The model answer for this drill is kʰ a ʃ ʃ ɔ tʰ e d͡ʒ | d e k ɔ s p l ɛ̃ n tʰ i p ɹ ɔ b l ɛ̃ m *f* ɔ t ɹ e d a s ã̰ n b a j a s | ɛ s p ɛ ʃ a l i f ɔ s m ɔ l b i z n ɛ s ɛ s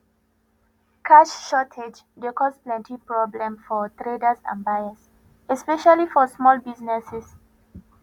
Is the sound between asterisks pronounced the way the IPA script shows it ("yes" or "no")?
yes